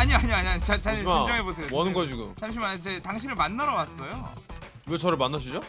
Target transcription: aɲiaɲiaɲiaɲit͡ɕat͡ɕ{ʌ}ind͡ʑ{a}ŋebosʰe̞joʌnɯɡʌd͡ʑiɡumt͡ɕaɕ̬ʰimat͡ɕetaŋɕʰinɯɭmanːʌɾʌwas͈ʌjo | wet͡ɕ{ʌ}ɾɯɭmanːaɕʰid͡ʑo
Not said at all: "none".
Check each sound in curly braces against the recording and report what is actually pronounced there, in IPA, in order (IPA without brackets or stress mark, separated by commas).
a, ʌ, ʌ